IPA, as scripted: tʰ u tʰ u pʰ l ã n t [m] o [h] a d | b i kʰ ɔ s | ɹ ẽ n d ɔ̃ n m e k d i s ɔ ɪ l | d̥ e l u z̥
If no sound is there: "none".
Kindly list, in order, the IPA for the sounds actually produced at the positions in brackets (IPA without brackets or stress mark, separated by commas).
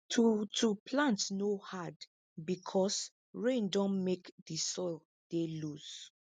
n, h